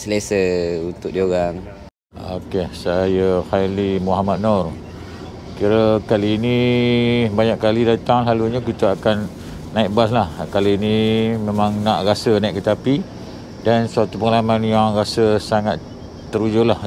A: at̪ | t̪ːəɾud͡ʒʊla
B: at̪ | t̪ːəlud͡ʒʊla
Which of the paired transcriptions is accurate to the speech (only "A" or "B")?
A